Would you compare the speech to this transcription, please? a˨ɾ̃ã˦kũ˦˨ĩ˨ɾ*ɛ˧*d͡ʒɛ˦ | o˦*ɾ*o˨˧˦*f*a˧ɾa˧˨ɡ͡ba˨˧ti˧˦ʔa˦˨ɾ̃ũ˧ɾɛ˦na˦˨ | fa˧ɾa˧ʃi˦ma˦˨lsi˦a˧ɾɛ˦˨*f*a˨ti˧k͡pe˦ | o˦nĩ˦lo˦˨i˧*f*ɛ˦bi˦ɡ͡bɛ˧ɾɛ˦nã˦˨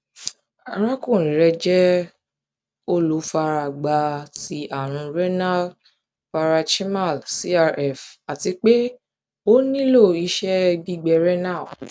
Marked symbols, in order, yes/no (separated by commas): yes, no, yes, yes, no